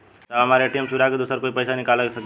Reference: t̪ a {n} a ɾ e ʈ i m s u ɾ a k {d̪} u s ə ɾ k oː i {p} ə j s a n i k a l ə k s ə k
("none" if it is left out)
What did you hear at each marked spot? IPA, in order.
m, d̪, p

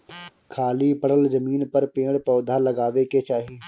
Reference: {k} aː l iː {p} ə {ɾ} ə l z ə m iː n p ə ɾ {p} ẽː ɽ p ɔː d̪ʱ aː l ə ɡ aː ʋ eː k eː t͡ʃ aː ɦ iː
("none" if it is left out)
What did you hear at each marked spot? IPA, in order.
kʰ, p, ɽ, p

